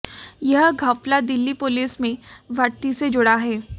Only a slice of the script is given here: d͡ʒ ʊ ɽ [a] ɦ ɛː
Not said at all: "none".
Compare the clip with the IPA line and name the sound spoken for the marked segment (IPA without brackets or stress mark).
a